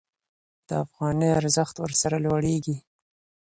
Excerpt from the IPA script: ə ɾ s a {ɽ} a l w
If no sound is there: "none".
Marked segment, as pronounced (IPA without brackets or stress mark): ɾ